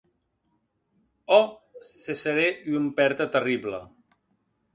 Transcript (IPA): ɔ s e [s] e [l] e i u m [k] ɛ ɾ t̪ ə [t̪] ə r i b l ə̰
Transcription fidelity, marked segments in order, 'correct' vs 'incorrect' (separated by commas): correct, incorrect, incorrect, correct